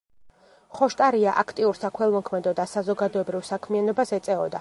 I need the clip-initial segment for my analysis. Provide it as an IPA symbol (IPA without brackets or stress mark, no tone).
χ